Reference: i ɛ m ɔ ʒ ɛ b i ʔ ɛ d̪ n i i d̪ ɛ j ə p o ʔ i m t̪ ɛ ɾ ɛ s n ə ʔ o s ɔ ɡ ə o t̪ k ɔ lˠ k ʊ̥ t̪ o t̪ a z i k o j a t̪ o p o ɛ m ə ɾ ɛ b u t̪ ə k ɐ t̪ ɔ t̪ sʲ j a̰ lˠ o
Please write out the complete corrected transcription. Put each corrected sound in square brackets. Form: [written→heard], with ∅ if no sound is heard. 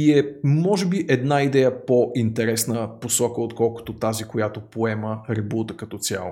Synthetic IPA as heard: i ɛ m ɔ ʒ ɛ b i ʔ ɛ d̪ n [i→a] i d̪ ɛ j ə p o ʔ i [m→n] t̪ ɛ ɾ ɛ s n ə [ʔ→p] o s ɔ [ɡ→k] ə o t̪ k ɔ lˠ k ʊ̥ t̪ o t̪ a z i k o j a t̪ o p o ɛ m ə ɾ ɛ b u t̪ ə k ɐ t̪ ɔ t̪ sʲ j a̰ lˠ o